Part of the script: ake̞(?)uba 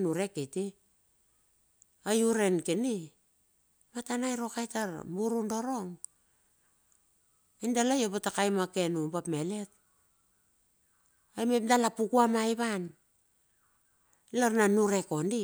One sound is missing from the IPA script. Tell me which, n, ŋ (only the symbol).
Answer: n